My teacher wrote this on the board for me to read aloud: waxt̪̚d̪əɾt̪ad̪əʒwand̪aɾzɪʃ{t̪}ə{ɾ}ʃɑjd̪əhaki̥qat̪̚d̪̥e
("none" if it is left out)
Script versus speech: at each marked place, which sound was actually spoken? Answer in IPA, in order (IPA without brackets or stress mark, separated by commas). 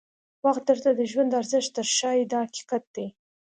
t̪, ɾ